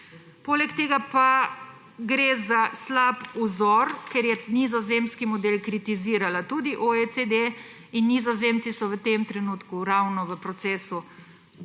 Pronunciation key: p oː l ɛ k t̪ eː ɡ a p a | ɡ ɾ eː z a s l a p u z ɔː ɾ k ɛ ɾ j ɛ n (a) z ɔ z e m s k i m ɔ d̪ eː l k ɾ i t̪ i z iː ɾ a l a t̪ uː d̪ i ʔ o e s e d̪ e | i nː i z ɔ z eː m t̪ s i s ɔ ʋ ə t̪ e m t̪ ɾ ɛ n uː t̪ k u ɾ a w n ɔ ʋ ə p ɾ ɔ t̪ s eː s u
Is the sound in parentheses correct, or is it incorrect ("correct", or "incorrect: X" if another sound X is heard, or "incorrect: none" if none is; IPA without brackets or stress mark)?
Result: incorrect: i